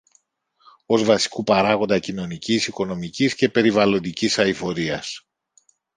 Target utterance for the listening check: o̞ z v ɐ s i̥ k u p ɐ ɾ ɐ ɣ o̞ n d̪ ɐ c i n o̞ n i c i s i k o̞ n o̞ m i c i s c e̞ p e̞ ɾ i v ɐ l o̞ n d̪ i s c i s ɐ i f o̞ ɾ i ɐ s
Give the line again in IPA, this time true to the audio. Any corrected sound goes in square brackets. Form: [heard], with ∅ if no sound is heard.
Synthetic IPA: o̞ z v ɐ s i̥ k u p ɐ ɾ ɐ ɣ o̞ n d̪ ɐ c i n o̞ n i c i s i k o̞ n o̞ m i c i s c e̞ p e̞ ɾ i v ɐ l o̞ n d̪ i [∅] c i s ɐ i f o̞ ɾ i ɐ s